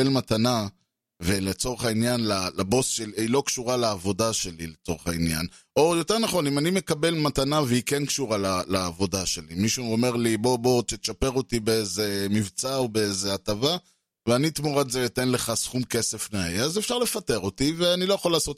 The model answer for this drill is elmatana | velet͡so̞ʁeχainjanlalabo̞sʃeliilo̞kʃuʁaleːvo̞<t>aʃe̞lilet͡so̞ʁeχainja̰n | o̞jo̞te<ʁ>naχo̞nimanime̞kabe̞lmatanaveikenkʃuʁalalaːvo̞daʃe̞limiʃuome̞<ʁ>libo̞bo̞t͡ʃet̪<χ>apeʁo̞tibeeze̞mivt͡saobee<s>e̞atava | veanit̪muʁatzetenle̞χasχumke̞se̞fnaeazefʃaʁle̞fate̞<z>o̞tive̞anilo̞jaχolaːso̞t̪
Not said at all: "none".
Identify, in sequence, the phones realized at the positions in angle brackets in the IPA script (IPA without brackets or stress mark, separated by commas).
d, ʁ, ʁ, ʃ, z, ʁ